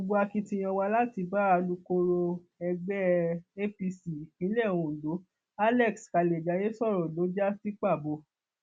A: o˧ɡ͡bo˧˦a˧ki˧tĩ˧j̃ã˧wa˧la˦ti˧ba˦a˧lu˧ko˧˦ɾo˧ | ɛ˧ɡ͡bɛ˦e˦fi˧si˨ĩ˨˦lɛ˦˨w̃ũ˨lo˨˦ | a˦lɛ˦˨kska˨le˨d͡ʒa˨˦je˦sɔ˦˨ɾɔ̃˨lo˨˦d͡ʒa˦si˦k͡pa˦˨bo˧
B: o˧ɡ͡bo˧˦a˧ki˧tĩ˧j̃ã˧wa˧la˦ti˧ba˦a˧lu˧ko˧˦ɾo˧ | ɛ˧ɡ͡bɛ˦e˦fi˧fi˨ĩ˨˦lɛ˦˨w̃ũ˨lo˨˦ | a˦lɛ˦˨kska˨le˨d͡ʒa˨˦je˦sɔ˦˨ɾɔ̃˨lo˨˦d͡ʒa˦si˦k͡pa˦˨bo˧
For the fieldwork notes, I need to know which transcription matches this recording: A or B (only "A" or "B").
A